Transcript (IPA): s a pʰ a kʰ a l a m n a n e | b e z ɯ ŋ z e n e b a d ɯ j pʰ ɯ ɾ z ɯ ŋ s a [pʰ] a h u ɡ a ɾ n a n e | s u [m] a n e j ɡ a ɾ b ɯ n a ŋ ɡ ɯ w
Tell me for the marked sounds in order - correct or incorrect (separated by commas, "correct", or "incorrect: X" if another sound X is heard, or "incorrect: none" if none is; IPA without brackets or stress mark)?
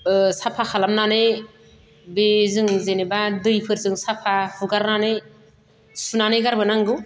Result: correct, incorrect: n